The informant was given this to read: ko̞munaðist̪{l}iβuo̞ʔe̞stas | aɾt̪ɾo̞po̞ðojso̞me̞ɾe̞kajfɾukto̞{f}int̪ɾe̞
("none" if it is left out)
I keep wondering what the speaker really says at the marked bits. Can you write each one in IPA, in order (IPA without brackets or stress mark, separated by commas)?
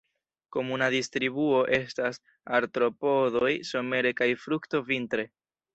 ɾ, v